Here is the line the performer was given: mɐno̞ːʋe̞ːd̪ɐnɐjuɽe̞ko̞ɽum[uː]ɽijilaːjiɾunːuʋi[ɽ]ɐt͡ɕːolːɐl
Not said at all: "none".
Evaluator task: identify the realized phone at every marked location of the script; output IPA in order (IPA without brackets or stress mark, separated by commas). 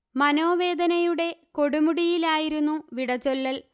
u, ɽ